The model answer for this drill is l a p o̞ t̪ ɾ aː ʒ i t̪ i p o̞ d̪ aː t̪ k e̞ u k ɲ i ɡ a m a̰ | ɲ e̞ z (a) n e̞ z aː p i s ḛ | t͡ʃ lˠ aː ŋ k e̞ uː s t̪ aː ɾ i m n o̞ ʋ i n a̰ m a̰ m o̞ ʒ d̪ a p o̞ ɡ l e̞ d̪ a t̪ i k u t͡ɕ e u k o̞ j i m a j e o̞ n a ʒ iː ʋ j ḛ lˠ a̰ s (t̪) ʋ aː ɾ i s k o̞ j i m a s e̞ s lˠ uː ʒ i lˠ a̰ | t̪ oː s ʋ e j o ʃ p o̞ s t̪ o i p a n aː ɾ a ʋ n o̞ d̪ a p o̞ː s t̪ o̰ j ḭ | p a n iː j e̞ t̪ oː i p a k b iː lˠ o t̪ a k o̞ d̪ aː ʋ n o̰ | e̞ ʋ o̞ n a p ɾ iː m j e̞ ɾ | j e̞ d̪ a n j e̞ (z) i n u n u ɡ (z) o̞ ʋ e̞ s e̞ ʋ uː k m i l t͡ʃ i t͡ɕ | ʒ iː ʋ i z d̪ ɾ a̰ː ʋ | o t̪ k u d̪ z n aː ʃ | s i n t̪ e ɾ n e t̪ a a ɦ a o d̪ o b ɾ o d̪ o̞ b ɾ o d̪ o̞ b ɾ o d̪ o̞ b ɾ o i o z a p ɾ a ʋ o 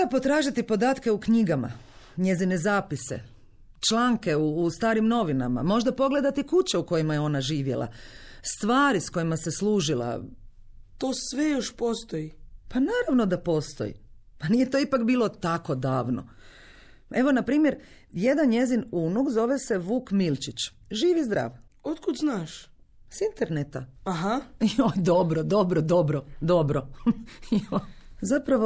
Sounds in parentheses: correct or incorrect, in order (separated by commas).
incorrect, correct, correct, correct